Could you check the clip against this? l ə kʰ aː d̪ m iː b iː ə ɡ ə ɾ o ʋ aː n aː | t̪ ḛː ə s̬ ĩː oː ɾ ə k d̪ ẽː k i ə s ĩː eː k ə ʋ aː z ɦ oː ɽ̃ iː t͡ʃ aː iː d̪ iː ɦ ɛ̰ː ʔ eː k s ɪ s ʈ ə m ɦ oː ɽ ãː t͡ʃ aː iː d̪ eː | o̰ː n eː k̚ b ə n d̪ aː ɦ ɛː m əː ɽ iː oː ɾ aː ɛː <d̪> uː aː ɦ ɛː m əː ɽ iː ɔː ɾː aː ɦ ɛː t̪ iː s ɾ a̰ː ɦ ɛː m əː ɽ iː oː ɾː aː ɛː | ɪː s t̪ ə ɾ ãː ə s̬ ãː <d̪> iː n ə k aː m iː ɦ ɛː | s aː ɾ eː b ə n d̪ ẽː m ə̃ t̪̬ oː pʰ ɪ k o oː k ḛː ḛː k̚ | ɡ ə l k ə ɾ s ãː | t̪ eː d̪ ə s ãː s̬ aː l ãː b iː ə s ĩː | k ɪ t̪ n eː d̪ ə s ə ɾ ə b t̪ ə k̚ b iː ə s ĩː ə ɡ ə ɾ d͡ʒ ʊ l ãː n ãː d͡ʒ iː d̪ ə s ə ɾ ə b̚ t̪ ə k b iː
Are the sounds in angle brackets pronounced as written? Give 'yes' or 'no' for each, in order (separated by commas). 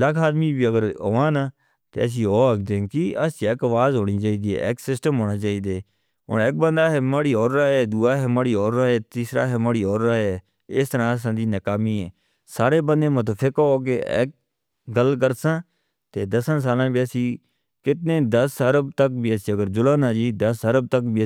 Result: yes, yes